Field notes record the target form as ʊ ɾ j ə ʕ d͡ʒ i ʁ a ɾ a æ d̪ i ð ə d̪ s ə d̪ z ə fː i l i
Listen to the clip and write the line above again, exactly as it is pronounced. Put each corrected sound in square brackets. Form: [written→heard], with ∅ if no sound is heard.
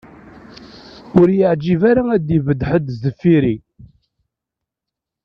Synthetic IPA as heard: ʊ ɾ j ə ʕ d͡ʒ i [ʁ→v] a ɾ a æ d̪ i [ð→v] ə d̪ [s→ħ] ə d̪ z ə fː i [l→ɾ] i